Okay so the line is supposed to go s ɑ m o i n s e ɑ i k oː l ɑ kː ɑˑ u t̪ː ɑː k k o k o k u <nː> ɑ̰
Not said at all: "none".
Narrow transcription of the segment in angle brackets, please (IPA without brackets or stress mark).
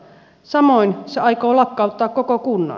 nː